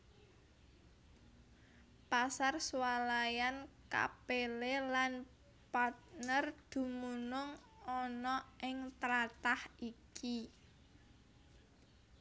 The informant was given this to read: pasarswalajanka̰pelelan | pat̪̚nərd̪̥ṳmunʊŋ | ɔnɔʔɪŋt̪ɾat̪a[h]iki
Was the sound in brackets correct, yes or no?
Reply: yes